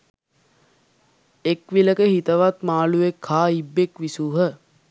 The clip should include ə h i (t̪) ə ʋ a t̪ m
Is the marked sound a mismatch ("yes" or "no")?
no